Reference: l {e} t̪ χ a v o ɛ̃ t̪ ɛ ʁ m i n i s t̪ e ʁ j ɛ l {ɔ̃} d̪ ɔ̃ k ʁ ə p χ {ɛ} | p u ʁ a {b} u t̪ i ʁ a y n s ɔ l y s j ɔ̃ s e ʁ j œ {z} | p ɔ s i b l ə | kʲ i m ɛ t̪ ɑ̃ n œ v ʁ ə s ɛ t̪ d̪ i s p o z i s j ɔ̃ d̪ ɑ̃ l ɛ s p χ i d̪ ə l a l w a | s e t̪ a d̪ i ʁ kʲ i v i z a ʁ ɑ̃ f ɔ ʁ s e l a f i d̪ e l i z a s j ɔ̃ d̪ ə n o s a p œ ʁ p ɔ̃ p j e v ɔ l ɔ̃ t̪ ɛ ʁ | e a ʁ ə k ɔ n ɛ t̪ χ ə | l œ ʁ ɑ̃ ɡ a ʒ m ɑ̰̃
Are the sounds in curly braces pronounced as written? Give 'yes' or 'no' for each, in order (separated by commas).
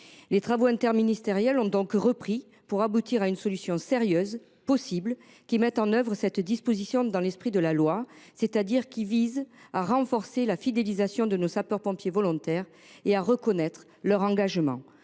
yes, yes, no, yes, yes